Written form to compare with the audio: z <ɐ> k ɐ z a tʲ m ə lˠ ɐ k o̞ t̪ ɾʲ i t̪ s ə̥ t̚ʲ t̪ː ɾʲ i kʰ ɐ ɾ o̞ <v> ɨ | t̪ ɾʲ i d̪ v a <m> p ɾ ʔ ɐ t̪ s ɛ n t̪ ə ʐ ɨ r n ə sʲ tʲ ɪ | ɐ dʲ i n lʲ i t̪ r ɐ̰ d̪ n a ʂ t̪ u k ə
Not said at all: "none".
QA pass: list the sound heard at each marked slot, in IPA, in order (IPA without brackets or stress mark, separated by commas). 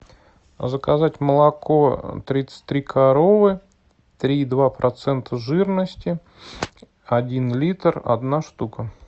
ə, v, none